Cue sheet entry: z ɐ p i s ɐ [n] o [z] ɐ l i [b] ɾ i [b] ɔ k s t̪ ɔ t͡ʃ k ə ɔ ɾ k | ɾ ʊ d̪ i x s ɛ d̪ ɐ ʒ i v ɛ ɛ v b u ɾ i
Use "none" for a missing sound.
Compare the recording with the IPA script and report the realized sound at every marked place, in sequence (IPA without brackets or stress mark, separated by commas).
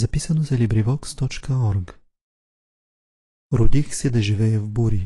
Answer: n, z, b, v